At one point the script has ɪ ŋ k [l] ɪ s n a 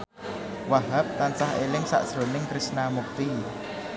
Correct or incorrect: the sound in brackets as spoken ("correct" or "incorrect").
incorrect